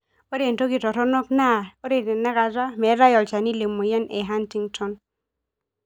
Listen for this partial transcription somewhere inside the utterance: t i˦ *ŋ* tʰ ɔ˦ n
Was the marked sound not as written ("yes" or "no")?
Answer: no